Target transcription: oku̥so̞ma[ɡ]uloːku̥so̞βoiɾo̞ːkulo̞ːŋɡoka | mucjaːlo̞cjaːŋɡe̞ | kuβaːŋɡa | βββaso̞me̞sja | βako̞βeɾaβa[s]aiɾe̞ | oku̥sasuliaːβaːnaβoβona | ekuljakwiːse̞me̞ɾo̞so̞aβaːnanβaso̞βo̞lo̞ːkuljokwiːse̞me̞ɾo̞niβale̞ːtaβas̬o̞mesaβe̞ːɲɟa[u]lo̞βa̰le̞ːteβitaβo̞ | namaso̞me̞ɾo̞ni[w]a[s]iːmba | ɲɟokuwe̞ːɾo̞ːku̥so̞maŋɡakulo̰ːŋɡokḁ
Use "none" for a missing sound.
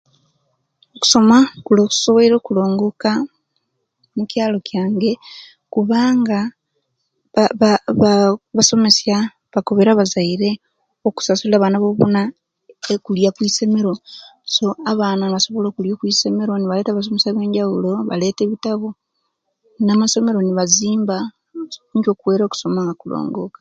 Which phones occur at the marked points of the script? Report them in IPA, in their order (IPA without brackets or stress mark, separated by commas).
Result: k, z, u, β, z